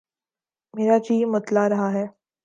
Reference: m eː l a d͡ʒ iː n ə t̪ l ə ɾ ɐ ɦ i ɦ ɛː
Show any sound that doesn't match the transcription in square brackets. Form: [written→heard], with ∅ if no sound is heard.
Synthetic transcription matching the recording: m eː [l→ɾ] a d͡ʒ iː [n→m] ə t̪ l [ə→a] ɾ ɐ ɦ [i→a] ɦ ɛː

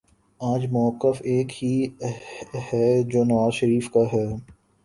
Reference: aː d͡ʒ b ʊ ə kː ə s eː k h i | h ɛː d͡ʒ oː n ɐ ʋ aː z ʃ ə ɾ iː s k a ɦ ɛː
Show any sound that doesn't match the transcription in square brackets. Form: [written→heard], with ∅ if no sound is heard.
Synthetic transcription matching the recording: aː d͡ʒ [b→m] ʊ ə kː ə [s→f] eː k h i | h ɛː d͡ʒ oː n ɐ ʋ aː z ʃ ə ɾ iː [s→f] k a ɦ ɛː

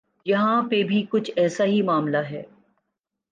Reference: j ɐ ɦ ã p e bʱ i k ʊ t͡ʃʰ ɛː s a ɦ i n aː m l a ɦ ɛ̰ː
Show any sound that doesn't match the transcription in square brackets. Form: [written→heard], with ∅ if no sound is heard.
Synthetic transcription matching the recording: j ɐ ɦ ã p e bʱ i k ʊ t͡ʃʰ ɛː s a ɦ i [n→m] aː m l a ɦ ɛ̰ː

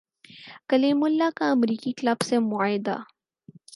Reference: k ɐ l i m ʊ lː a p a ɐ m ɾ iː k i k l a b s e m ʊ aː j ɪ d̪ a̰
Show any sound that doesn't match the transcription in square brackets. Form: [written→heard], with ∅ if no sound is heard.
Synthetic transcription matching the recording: k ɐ l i m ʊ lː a [p→k] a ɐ m ɾ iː k i k l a b s e m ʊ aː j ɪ d̪ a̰

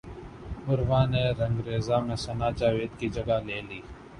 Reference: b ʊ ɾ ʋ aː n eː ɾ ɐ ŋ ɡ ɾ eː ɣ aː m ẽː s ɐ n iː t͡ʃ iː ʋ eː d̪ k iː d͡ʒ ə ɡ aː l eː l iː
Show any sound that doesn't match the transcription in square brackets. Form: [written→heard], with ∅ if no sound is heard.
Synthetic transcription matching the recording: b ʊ ɾ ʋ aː n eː ɾ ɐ ŋ ɡ ɾ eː [ɣ→z] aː m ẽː s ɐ n [iː→aː] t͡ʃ [iː→aː] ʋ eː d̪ k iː d͡ʒ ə ɡ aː l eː l iː

